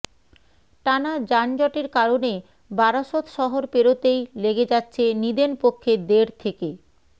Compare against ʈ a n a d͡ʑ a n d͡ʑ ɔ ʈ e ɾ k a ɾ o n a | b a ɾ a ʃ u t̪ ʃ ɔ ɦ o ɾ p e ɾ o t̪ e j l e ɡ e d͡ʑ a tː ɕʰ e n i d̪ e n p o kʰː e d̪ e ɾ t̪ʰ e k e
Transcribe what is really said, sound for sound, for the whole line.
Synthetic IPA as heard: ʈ a n a d͡ʑ a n d͡ʑ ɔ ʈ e ɾ k a ɾ o n e | b a ɾ a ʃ o t̪ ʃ ɔ ɦ o ɾ p e ɾ o t̪ e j l e ɡ e d͡ʑ a tː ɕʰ e n i d̪ e n p o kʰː e d̪ e ɾ t̪ʰ e k e

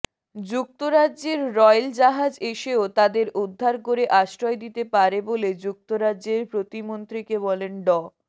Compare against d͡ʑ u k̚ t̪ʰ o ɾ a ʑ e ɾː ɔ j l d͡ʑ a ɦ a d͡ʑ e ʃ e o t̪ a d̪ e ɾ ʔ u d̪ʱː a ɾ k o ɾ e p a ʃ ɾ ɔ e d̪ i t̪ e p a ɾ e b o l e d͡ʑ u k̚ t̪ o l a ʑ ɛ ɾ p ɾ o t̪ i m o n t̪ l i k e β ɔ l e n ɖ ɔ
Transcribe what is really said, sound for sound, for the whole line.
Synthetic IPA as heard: d͡ʑ u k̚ t̪ o ɾ a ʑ e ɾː ɔ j l d͡ʑ a ɦ a d͡ʑ e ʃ e o t̪ a d̪ e ɾ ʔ u d̪ʱː a ɾ k o ɾ e ʔ a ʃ ɾ ɔ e d̪ i t̪ e p a ɾ e b o l e d͡ʑ u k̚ t̪ o ɾ a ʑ e ɾ p ɾ o t̪ i m o n t̪ ɾ i k e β ɔ l e n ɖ ɔ

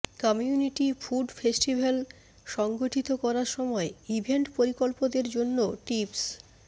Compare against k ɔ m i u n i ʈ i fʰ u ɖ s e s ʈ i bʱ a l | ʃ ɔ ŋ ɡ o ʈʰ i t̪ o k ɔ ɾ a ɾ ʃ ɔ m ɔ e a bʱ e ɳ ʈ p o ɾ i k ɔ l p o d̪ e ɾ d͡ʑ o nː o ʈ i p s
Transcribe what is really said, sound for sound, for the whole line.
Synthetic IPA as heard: k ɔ m i u n i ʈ i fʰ u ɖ f e s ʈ i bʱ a l | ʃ ɔ ŋ ɡ o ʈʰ i t̪ o k ɔ ɾ a ɾ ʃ ɔ m ɔ e i bʱ e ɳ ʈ p o ɾ i k o l p o d̪ e ɾ d͡ʑ o nː o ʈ i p s

